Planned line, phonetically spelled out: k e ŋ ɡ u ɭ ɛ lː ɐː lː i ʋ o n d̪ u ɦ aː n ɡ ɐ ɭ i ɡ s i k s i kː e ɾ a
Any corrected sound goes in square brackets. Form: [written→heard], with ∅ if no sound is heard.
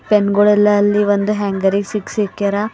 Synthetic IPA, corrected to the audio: [k→p] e [ŋ→n] ɡ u ɭ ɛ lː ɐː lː i ʋ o n d̪ u ɦ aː [n→ŋ] ɡ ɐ [ɭ→ɾ] i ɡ s i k s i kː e ɾ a